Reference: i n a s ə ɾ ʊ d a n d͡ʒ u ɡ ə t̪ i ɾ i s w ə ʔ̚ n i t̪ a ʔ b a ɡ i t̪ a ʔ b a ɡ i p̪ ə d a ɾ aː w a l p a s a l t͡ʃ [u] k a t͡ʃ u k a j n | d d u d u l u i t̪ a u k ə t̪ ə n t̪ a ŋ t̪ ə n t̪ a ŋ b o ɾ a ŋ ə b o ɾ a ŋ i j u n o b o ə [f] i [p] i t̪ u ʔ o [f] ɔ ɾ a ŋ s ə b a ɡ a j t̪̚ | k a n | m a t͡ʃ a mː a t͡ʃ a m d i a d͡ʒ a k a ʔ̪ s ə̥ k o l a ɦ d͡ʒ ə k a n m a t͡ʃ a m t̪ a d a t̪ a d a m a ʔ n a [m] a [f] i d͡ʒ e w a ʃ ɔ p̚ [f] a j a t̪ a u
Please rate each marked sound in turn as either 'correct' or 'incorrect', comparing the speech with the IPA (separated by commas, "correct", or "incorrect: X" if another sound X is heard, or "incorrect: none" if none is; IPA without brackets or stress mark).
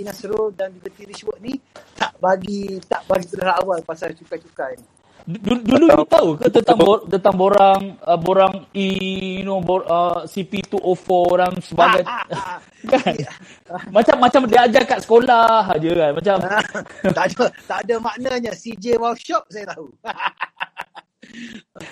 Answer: correct, incorrect: s, correct, correct, incorrect: ɲ, incorrect: s, incorrect: s